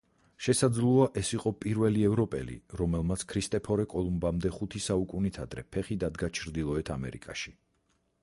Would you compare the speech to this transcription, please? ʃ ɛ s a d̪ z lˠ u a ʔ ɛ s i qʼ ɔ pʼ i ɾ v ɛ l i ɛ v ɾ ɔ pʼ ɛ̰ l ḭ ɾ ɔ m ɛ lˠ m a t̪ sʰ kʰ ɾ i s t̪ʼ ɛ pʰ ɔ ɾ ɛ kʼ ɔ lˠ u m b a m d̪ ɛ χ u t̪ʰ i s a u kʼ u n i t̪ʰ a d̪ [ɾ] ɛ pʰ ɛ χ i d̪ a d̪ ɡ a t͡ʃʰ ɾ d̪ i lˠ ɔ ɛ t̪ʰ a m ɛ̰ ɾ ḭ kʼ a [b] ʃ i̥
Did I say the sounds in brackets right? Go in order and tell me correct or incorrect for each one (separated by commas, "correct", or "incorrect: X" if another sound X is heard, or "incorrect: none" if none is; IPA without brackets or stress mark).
correct, incorrect: none